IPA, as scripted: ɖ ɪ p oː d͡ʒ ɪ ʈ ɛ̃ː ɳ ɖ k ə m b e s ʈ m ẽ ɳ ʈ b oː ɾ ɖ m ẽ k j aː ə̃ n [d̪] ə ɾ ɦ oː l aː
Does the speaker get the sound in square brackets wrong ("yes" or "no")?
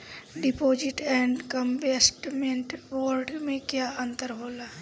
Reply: yes